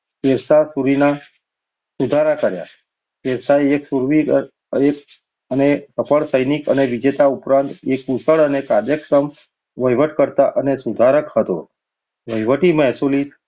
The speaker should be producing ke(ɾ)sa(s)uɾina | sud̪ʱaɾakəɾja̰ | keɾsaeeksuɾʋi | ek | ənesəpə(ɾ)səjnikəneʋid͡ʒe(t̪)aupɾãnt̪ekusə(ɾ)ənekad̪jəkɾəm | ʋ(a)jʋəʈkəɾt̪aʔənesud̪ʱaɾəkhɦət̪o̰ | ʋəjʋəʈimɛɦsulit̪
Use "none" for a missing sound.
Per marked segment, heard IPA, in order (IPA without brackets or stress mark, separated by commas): ɾ, s, ɭ, t̪, ɭ, ə